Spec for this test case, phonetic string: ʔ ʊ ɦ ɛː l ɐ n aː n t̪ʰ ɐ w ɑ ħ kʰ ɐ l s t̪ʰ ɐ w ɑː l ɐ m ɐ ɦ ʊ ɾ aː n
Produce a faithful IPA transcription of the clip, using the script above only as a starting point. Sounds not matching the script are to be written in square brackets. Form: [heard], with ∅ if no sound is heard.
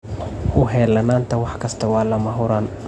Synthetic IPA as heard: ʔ ʊ ɦ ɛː l ɐ n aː n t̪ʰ ɐ w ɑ ħ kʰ ɐ [∅] s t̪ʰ ɐ w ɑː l ɐ m ɐ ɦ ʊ ɾ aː n